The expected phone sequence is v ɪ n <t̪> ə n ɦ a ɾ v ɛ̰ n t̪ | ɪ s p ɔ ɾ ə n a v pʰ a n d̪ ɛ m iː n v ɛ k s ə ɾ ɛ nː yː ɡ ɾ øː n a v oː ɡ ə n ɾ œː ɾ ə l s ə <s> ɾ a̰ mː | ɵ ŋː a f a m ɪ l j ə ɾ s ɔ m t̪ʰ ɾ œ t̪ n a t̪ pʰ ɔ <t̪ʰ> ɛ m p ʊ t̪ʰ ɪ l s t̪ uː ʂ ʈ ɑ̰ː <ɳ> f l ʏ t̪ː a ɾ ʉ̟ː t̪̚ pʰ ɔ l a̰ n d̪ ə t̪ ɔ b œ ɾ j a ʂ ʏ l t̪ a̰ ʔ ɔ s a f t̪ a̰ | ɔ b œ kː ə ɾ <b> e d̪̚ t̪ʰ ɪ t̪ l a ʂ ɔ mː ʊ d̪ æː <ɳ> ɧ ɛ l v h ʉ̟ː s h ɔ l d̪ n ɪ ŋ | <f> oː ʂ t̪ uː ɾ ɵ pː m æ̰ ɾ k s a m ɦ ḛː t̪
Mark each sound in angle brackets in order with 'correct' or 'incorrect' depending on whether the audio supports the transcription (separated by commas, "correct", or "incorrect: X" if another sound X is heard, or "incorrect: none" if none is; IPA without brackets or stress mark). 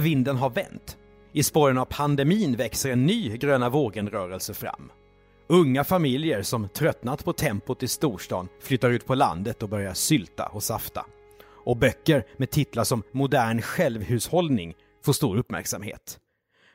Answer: incorrect: d̪, incorrect: f, correct, incorrect: n, incorrect: m, correct, correct